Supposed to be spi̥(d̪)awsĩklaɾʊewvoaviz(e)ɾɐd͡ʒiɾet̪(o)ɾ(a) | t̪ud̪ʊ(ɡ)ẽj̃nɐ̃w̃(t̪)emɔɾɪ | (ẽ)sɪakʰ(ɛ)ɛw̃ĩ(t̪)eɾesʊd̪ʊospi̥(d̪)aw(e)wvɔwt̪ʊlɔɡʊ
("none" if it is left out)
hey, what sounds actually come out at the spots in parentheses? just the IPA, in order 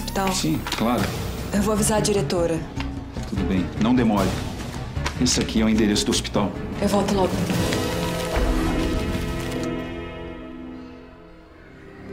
t̪, a, o, ɐ, b, d̪, e, i, d̪, t̪, e

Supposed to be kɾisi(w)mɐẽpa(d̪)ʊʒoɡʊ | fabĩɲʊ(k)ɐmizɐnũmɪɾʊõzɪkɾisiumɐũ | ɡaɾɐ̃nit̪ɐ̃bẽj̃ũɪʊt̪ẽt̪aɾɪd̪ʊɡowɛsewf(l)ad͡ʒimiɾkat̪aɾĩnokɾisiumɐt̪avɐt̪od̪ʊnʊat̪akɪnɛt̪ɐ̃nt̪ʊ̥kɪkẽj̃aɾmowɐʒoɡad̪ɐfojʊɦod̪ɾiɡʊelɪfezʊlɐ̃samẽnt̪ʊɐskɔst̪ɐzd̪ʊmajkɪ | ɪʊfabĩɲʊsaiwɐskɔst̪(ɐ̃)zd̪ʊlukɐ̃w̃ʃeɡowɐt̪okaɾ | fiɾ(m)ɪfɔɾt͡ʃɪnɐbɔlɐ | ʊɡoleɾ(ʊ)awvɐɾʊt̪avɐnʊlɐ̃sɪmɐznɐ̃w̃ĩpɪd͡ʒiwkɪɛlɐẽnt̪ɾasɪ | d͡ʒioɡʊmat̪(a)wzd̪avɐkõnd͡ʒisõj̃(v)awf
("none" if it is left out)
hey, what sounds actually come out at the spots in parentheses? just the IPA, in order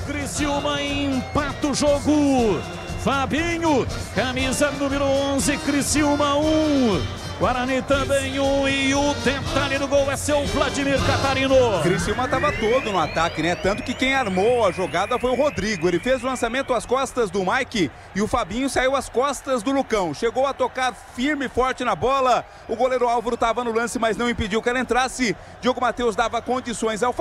u, t̪, k, l, ɐ, m, ʊ, e, z

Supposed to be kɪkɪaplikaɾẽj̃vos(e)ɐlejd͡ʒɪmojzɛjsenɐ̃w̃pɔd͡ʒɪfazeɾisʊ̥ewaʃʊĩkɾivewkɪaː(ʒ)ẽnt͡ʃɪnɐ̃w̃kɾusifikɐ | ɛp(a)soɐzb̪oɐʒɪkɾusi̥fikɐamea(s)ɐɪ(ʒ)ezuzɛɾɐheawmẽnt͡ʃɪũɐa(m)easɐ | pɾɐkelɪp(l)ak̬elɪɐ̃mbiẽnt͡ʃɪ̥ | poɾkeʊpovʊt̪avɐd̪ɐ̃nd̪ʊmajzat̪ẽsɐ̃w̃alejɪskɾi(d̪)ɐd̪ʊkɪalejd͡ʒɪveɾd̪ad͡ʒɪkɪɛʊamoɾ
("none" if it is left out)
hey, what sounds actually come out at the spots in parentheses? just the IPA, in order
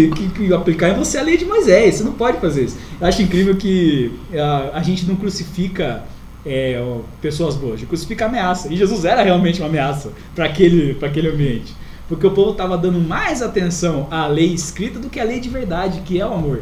e, ʒ, e, s, ʒ, m, ɾ, t̪

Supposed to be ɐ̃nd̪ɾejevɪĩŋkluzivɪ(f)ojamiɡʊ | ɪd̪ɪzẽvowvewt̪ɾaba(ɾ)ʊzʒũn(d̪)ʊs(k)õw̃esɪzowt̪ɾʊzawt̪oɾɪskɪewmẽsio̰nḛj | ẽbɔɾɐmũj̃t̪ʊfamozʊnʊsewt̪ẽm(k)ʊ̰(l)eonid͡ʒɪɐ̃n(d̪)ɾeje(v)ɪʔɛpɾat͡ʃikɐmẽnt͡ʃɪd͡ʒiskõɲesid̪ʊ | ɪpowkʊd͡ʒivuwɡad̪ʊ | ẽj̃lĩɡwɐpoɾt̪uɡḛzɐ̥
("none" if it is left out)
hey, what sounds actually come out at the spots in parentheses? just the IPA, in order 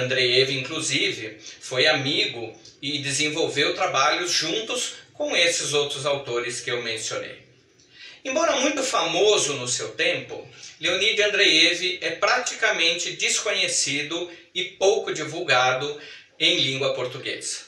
f, ʎ, t̪, k, p, l, d̪, v

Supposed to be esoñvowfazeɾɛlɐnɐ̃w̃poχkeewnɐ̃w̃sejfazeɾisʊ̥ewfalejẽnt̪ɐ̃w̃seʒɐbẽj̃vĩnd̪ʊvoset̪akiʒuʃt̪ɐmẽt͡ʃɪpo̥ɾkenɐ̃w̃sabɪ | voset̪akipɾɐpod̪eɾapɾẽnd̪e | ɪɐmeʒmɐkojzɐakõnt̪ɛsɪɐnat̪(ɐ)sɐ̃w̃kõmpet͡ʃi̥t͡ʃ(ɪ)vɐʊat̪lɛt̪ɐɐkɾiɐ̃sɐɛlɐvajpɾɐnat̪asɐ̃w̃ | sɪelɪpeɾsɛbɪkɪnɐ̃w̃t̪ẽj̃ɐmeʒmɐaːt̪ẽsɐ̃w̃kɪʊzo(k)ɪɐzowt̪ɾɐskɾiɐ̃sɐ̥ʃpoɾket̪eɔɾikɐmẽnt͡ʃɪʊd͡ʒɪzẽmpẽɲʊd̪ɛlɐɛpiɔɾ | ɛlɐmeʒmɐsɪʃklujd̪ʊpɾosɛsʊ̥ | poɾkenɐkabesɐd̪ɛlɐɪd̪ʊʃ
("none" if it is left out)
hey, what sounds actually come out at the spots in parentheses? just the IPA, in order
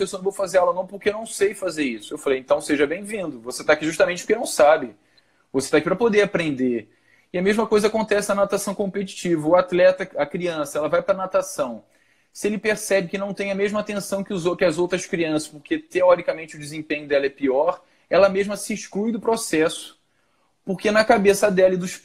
a, i, k

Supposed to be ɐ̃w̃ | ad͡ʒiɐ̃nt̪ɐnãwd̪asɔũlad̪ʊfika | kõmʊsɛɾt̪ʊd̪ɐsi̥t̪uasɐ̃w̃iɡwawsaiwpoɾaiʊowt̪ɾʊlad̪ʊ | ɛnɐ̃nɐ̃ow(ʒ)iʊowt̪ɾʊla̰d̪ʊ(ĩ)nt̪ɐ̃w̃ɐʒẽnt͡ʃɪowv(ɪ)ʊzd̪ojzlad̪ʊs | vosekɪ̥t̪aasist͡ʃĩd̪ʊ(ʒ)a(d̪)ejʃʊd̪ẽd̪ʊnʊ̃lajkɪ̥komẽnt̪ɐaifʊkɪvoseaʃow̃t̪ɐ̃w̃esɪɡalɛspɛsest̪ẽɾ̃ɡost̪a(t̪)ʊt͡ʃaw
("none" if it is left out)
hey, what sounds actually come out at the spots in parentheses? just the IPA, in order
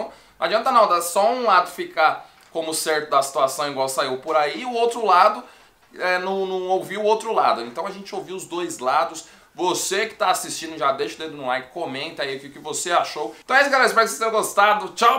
v, ẽ, i, ʒ, d̪, d̪

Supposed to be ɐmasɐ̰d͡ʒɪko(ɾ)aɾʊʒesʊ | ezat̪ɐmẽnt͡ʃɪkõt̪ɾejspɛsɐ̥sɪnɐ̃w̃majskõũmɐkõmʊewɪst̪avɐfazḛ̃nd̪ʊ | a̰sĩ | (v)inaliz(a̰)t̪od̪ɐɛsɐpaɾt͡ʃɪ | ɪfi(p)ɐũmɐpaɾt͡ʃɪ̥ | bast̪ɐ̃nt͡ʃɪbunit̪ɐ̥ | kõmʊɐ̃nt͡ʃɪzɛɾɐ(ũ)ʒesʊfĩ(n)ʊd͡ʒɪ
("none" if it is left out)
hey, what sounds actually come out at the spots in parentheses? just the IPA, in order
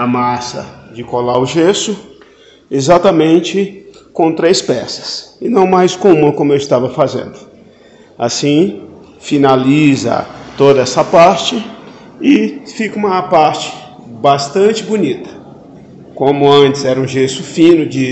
l, f, ɐ̰, k, ũ, n

